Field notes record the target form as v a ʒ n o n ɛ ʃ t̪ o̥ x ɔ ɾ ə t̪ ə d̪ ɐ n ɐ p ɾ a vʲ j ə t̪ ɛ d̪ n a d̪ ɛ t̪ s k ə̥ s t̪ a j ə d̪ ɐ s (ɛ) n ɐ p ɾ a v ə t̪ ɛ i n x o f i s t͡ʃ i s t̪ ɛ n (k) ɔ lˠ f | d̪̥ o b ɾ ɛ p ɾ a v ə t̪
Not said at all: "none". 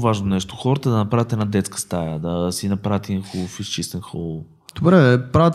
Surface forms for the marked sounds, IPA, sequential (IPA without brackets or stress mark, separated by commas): i, x